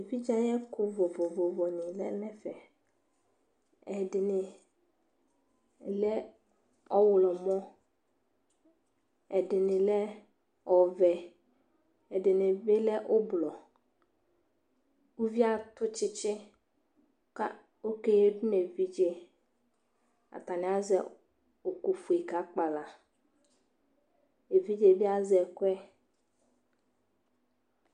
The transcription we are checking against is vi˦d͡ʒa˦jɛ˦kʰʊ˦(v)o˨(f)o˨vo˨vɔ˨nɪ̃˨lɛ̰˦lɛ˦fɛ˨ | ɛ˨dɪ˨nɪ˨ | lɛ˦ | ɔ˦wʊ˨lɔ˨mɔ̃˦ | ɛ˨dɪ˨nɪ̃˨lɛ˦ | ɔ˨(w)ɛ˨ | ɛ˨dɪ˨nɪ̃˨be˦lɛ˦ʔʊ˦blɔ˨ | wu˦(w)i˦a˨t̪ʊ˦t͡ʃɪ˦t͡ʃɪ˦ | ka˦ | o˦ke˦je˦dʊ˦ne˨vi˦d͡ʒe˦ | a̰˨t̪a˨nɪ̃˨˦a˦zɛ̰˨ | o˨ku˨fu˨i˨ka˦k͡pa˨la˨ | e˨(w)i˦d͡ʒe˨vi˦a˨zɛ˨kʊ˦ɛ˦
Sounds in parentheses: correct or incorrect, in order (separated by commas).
correct, incorrect, incorrect, incorrect, incorrect